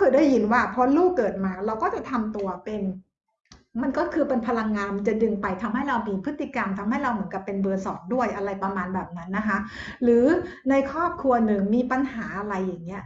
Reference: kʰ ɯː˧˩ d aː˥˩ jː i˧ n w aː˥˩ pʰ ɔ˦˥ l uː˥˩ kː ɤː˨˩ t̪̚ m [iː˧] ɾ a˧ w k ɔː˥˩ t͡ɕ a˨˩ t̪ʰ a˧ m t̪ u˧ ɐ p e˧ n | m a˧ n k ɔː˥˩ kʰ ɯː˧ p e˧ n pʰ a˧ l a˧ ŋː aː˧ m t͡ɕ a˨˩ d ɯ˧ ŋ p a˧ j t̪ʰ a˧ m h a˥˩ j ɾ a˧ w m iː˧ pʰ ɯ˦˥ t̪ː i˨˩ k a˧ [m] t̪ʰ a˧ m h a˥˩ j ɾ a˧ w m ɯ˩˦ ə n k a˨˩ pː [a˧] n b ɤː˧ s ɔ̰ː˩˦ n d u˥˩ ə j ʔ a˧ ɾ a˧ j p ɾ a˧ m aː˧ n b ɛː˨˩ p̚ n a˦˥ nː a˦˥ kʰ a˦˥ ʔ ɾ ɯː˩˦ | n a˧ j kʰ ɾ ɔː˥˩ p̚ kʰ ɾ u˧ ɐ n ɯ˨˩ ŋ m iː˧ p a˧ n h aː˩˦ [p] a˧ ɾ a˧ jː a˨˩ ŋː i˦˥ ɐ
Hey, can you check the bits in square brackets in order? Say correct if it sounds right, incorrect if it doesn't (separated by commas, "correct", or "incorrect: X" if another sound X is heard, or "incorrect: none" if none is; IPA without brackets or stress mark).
incorrect: aː˧, correct, incorrect: e˧, incorrect: ʔ